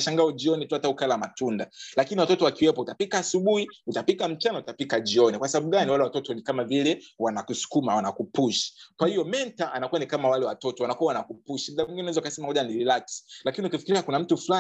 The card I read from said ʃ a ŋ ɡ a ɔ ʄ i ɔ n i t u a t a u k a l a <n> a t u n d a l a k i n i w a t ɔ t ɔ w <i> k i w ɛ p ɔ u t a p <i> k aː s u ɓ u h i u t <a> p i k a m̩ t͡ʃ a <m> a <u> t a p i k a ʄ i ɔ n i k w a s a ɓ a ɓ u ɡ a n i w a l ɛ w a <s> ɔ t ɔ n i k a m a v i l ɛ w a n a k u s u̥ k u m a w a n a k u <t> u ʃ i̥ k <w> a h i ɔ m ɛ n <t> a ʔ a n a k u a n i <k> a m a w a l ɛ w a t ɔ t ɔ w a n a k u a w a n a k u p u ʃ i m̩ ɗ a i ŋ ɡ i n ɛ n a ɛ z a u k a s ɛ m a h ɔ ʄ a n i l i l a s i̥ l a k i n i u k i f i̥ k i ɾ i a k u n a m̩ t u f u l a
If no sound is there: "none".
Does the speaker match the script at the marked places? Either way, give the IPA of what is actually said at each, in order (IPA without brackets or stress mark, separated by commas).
m, a, i, a, n, u, t, p, w, t, k